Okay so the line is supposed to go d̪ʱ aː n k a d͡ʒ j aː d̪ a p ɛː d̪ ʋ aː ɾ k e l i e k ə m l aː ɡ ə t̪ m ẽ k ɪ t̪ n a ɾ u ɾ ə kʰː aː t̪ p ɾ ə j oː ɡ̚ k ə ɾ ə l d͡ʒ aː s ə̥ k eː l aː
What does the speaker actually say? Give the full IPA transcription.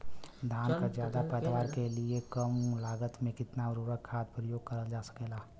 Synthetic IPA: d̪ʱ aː n k a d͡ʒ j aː d̪ a p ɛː d̪ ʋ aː ɾ k e l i e k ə m l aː ɡ ə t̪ m ẽ k ɪ t̪ n a ɾ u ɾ ə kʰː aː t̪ p ɾ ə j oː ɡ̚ k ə ɾ ə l d͡ʒ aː s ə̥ k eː l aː